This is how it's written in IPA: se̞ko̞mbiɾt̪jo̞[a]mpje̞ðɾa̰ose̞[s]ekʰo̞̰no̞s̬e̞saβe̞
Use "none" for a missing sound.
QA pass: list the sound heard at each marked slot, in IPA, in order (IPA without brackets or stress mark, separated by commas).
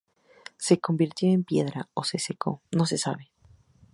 e, s